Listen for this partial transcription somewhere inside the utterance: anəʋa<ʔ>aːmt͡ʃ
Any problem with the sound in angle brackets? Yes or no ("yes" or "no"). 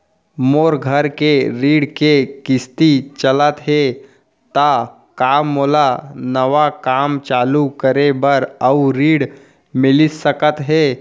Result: yes